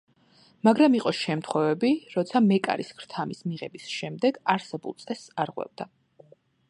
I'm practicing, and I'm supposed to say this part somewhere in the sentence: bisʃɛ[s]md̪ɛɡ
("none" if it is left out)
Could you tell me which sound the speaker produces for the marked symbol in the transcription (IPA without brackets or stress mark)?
none